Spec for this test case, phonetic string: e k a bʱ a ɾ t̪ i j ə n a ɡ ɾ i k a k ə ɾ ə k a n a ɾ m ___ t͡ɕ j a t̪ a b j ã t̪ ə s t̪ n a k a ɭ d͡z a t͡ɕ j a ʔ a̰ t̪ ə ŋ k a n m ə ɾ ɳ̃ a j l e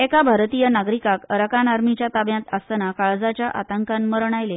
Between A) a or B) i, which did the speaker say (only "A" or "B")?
B